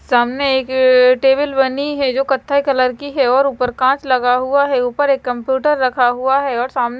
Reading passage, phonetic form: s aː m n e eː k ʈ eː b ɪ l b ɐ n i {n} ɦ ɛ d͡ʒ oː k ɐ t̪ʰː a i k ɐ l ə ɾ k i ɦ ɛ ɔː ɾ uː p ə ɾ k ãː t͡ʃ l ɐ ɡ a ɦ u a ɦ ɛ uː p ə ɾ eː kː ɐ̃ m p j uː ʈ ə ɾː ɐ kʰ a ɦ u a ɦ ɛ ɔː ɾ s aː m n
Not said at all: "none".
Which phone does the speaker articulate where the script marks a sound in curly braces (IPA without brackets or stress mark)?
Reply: none